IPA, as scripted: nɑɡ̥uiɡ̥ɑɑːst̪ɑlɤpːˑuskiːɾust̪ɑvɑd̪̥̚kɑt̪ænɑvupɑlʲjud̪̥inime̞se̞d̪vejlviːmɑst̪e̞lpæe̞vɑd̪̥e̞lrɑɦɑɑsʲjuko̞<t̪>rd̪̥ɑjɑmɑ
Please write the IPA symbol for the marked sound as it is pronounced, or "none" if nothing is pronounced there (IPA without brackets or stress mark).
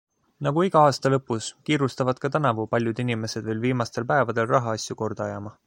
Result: none